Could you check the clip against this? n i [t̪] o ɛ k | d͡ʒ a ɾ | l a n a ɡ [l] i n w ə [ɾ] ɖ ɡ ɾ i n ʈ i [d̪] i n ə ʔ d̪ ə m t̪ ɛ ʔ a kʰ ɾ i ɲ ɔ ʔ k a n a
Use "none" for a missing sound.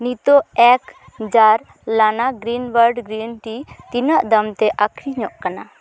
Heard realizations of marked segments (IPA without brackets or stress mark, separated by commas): t̪, ɾ, ɾ, t̪